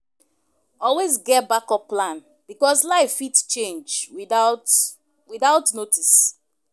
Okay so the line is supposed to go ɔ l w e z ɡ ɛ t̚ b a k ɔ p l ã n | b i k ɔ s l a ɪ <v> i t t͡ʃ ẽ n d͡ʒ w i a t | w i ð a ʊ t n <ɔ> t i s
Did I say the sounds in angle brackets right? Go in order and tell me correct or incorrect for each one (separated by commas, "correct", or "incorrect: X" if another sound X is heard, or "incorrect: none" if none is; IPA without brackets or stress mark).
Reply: incorrect: f, incorrect: o